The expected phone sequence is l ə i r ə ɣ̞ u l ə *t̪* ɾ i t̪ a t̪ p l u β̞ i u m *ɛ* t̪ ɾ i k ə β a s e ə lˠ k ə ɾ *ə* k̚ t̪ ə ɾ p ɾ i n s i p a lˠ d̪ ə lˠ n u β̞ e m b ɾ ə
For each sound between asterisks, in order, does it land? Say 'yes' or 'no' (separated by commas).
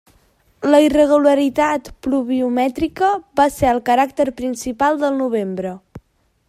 no, yes, no